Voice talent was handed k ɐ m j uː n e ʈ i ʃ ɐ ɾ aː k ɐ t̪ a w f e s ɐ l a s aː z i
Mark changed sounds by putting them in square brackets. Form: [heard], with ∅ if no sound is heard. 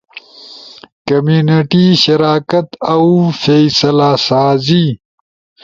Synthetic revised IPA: k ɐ m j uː n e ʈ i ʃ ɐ ɾ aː k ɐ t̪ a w f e s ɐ l a s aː z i